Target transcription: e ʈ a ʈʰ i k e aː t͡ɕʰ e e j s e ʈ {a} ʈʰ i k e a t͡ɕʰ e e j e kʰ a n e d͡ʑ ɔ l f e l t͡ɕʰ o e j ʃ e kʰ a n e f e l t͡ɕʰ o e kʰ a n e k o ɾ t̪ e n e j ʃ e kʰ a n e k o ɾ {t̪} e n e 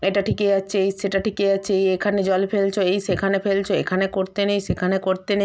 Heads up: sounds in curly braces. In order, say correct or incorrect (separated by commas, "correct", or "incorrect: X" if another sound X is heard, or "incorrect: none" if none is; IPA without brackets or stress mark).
correct, correct